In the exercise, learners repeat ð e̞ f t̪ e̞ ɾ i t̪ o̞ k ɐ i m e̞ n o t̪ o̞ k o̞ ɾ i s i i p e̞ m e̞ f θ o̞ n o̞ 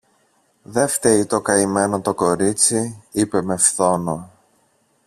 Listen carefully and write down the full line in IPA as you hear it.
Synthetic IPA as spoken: ð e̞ f t̪ e̞ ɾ i t̪ o̞ k ɐ i m e̞ n o t̪ o̞ k o̞ ɾ i t͡s i i p e̞ m e̞ f θ o̞ n o̞